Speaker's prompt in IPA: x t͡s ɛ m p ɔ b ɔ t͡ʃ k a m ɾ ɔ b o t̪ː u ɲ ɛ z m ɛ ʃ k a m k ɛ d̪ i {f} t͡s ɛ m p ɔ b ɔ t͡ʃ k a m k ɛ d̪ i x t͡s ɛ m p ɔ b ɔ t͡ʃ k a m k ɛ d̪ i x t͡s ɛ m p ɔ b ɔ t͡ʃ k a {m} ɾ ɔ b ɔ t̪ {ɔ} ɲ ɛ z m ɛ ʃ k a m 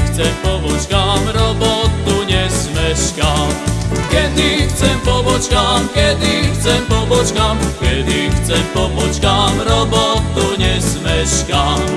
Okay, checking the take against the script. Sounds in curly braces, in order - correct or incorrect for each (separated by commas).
incorrect, correct, incorrect